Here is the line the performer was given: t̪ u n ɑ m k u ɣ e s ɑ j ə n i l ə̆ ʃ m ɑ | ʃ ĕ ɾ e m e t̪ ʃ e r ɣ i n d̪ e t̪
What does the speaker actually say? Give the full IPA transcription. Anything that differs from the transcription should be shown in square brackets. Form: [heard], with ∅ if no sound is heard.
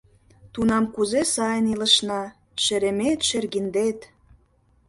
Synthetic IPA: t̪ u n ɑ m k u [z] e s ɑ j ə n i l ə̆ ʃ [n] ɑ | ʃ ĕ ɾ e m e t̪ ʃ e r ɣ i n d̪ e t̪